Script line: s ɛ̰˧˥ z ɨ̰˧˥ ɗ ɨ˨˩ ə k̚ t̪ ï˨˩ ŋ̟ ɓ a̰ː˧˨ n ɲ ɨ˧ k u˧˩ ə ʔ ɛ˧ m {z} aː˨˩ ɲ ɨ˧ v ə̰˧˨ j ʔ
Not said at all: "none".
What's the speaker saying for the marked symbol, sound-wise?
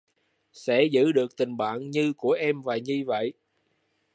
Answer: v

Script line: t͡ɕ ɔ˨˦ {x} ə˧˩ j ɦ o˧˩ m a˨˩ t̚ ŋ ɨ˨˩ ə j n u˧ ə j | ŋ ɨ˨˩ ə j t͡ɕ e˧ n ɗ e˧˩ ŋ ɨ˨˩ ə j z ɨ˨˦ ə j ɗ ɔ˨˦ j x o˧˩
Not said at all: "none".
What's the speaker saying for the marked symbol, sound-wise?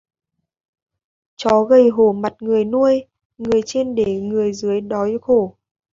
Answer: ɣ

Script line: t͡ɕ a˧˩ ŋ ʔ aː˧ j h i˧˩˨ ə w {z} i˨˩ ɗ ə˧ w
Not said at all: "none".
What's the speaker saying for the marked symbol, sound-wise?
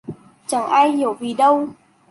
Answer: v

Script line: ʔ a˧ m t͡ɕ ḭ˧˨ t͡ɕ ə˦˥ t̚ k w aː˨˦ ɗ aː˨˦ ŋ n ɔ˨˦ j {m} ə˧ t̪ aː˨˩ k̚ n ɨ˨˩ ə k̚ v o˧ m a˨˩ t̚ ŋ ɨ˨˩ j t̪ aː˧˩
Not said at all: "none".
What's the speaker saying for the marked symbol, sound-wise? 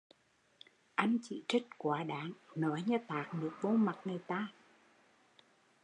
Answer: ɲ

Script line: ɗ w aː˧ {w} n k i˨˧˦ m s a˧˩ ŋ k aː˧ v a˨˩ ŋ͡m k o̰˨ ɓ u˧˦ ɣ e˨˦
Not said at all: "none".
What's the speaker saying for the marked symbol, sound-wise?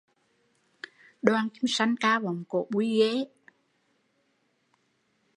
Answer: none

